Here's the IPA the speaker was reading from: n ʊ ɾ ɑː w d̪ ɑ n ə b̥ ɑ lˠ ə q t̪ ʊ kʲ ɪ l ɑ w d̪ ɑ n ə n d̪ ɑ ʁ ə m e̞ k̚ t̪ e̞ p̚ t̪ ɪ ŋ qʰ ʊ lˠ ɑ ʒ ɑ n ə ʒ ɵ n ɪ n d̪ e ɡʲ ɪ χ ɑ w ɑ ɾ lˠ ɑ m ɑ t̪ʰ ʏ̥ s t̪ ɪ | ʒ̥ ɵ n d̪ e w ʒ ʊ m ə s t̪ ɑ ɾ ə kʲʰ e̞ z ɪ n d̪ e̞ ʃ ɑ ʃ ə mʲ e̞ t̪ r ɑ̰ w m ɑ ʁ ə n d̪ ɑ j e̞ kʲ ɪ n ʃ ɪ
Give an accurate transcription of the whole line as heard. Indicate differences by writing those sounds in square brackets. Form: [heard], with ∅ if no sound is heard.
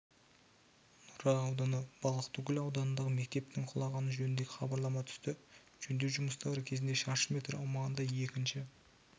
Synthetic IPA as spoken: n ʊ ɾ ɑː w d̪ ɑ n ə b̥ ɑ lˠ ə q t̪ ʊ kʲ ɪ l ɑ w d̪ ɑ n ə n d̪ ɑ ʁ ə m e̞ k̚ t̪ e̞ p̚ t̪ ɪ ŋ qʰ ʊ lˠ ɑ [ʁ] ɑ n ə ʒ ɵ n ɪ n d̪ e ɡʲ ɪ χ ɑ [b] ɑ ɾ lˠ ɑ m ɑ t̪ʰ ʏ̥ s t̪ ɪ | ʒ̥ ɵ n d̪ e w ʒ ʊ m ə s t̪ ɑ ɾ ə kʲʰ e̞ z ɪ n d̪ e̞ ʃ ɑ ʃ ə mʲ e̞ t̪ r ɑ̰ w m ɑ ʁ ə n d̪ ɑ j e̞ kʲ ɪ n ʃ ɪ